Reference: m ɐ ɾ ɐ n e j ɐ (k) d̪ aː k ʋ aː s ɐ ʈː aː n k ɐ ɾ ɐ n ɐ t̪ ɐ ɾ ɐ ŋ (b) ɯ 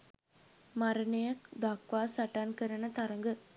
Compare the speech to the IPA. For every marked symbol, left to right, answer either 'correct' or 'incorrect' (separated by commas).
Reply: correct, incorrect